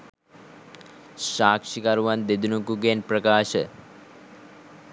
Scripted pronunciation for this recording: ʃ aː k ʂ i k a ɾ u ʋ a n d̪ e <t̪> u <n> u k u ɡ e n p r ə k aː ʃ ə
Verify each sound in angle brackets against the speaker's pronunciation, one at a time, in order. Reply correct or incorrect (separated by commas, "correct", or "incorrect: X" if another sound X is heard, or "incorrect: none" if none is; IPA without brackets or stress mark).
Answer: incorrect: d̪, correct